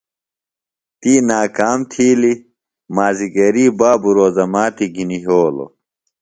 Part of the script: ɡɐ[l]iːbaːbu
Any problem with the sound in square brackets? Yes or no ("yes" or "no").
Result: yes